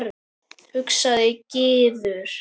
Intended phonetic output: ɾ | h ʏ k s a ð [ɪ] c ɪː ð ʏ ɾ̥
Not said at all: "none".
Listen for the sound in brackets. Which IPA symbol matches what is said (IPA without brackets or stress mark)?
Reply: ɪ